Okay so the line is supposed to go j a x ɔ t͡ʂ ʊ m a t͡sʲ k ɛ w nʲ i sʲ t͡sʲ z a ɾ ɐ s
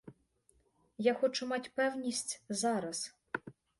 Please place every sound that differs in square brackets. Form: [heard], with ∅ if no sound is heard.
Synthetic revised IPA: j a x ɔ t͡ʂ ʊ m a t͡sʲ [p] ɛ w nʲ i sʲ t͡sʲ z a ɾ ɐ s